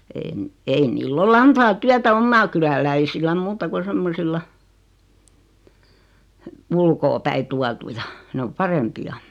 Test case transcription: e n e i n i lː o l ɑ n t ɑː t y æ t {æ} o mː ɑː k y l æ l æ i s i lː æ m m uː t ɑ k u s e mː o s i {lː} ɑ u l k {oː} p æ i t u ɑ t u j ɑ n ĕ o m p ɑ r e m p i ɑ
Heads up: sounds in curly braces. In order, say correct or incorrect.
correct, correct, correct

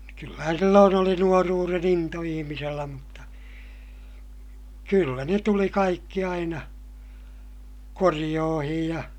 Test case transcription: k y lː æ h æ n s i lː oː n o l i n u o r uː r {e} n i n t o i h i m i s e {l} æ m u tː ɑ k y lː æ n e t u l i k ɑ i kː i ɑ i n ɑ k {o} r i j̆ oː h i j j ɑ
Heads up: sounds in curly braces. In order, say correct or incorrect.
correct, incorrect: lː, correct

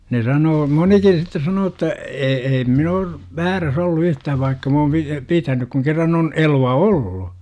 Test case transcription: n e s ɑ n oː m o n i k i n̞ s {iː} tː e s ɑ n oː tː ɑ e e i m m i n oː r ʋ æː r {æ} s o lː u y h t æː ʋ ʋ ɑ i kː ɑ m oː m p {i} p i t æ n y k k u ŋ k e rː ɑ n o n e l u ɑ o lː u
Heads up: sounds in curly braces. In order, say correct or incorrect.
incorrect: i, correct, correct

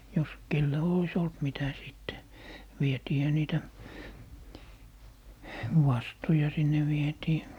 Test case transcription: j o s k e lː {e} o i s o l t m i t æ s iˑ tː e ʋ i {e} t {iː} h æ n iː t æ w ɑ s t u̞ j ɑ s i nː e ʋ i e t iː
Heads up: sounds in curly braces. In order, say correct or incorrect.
incorrect: æ, correct, correct

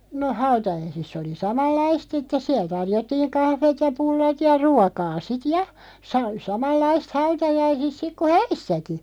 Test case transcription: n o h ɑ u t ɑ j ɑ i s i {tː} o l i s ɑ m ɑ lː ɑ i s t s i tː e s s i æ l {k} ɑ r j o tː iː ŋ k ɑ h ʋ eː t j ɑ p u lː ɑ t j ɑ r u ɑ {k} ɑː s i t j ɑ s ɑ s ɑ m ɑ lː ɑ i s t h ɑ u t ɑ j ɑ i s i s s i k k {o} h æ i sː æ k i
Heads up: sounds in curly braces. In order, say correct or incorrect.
incorrect: sː, incorrect: t, correct, incorrect: u

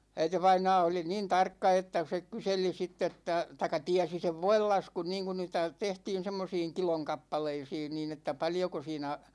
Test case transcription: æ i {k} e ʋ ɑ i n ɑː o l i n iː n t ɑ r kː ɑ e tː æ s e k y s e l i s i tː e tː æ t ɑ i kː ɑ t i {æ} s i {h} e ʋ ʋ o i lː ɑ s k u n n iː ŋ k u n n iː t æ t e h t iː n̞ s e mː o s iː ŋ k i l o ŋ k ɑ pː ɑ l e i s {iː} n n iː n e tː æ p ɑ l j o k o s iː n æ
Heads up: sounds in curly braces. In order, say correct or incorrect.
incorrect: t, correct, incorrect: s, correct

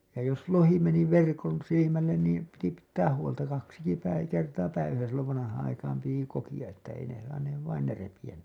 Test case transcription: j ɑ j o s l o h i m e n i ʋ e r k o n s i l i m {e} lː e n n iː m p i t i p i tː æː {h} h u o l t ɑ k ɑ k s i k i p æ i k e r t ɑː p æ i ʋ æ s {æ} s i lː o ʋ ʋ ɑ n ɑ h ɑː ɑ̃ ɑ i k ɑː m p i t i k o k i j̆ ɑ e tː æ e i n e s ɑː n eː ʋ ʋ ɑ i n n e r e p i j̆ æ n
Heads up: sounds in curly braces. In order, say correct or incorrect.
incorrect: æ, correct, correct

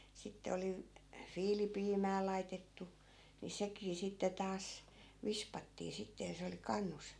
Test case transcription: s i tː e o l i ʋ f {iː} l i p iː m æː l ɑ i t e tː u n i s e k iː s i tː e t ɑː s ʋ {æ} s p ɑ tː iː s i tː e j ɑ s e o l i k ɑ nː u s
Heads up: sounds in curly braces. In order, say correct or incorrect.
correct, incorrect: i

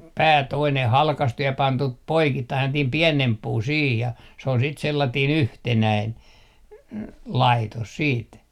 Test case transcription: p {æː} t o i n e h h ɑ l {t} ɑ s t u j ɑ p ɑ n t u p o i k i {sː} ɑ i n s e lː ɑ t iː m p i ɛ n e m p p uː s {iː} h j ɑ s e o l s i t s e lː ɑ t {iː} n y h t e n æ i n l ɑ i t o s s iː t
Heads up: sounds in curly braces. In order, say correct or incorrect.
correct, incorrect: k, incorrect: tː, correct, correct

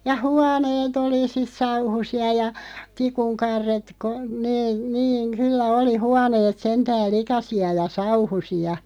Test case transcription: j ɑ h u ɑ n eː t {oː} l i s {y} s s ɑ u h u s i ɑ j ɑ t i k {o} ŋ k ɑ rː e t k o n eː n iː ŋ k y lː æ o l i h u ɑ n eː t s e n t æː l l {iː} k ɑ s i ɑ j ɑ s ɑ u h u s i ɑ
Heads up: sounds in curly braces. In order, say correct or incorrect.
incorrect: o, incorrect: i, incorrect: u, incorrect: i

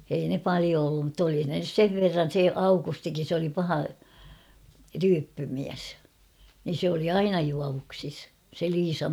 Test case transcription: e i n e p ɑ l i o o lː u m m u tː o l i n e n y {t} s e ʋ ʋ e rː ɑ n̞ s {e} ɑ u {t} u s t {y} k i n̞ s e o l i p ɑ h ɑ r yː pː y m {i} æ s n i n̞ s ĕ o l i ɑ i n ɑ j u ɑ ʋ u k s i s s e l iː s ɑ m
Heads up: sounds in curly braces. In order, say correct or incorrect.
incorrect: s, correct, incorrect: k, incorrect: i, correct

